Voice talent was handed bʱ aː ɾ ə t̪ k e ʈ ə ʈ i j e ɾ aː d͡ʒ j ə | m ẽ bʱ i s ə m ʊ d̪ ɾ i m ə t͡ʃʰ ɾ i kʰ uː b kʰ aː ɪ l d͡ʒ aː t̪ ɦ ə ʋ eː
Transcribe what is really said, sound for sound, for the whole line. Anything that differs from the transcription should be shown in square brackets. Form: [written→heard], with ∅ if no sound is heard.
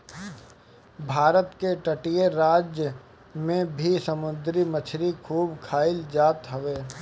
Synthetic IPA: bʱ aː ɾ ə t̪ k e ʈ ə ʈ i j e ɾ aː d͡ʒ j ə | m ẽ bʱ i s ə m ʊ d̪ ɾ i m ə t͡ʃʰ ɾ i kʰ uː b kʰ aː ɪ l d͡ʒ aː t̪ ɦ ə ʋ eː